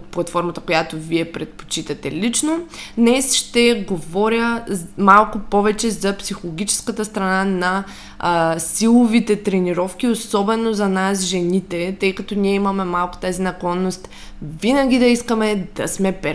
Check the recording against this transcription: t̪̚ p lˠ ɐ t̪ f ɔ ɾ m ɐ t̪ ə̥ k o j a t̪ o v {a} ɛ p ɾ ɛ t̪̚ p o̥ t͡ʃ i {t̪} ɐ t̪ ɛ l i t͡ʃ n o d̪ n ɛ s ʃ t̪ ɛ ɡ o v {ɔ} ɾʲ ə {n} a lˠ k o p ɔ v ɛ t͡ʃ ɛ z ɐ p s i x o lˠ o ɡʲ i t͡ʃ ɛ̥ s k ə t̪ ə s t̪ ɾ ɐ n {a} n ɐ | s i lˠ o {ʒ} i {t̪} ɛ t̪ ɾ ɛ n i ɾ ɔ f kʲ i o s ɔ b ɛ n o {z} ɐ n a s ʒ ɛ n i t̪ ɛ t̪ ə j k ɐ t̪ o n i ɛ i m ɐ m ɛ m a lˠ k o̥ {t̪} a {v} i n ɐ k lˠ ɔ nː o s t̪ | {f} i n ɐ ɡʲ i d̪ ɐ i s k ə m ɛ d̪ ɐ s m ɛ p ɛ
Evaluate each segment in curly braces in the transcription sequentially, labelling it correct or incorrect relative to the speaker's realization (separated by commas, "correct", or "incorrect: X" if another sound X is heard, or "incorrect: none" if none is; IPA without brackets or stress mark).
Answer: incorrect: i, correct, correct, incorrect: m, correct, incorrect: v, correct, correct, correct, incorrect: z, incorrect: v